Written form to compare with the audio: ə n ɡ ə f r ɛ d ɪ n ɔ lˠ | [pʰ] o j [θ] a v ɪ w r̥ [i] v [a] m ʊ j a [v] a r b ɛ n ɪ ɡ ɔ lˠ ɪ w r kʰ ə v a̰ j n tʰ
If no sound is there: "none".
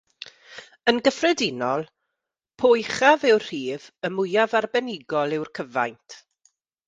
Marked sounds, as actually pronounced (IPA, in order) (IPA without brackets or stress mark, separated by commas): pʰ, χ, iː, ə, v